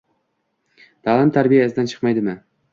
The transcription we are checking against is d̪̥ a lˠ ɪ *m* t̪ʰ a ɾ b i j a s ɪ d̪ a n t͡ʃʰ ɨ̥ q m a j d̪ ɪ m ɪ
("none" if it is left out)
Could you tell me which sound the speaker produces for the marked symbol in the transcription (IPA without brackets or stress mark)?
m